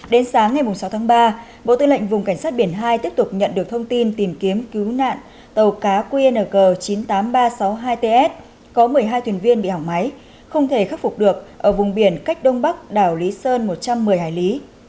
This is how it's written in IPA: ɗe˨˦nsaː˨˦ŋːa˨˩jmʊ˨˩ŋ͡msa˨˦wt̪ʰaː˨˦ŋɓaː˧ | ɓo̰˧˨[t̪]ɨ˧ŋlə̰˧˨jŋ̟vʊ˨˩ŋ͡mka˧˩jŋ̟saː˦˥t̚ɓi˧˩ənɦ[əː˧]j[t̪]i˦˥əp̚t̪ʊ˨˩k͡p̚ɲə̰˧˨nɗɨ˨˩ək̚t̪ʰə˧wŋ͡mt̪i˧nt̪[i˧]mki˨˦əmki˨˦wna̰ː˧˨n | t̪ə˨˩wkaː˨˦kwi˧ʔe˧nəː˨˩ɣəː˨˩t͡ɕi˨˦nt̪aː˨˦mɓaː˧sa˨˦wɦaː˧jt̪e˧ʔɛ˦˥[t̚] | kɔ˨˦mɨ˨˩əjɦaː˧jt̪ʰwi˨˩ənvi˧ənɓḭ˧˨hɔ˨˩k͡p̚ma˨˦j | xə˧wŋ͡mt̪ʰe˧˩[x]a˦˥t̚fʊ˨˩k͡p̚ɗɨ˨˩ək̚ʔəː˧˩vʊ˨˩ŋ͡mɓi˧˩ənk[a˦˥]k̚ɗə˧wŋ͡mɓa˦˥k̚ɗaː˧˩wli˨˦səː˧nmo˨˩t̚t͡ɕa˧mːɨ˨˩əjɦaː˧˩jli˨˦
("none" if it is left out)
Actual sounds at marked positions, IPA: t̪, aː˧, t̪, i˨˩, t̚, x, a˦˥

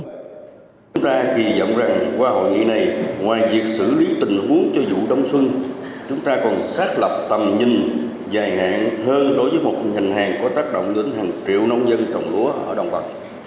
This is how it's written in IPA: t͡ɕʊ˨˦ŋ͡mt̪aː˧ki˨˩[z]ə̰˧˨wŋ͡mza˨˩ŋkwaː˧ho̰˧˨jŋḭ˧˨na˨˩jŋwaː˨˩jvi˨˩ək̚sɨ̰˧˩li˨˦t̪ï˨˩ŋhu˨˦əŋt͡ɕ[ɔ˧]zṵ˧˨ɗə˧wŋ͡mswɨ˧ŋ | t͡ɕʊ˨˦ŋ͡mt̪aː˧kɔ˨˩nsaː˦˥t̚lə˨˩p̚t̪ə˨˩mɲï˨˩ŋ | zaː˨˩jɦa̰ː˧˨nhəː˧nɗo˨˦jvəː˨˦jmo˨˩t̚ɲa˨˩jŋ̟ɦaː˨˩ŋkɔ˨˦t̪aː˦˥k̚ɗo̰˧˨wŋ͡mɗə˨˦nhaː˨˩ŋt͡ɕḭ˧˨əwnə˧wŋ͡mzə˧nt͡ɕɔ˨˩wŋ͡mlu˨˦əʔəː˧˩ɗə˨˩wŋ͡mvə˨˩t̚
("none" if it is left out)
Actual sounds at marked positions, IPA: z, ɔ˧

